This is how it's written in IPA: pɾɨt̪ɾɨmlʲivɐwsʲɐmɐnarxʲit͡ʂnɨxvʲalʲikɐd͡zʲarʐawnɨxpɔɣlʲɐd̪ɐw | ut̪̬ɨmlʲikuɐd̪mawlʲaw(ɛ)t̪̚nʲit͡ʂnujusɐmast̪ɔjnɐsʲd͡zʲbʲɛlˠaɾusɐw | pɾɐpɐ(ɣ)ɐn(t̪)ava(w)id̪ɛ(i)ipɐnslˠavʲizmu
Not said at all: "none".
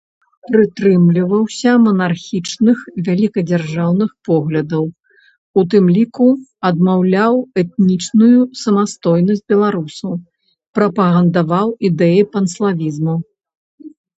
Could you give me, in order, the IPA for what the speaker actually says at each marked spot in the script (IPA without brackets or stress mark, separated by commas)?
ɛ, ɣ, d̪, w, j